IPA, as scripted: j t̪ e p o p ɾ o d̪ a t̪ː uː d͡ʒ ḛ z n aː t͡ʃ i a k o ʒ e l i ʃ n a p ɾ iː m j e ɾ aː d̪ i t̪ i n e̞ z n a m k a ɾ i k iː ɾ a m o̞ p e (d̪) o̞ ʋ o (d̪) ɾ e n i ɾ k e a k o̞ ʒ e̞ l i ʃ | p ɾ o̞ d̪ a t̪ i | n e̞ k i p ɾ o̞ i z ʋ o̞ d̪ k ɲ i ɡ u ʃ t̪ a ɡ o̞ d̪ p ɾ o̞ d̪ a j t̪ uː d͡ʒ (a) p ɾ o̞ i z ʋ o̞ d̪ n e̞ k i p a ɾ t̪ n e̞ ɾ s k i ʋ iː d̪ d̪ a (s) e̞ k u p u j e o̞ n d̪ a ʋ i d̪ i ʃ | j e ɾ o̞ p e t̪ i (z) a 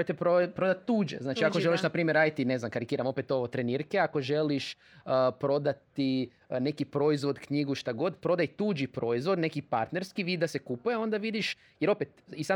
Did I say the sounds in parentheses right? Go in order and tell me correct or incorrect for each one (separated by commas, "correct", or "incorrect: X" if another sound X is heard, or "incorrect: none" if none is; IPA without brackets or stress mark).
incorrect: t̪, incorrect: t̪, incorrect: i, correct, incorrect: s